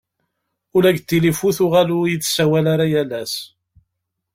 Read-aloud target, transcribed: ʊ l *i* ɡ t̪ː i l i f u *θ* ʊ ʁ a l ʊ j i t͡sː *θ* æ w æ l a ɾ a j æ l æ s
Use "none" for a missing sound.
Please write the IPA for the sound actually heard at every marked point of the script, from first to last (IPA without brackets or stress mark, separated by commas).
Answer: æ, θ, s